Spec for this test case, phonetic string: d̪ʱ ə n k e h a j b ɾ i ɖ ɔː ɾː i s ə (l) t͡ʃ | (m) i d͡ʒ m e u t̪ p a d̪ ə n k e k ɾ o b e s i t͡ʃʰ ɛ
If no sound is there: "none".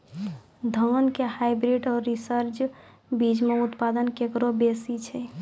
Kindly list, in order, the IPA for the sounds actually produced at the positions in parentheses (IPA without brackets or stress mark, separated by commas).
ɾ, b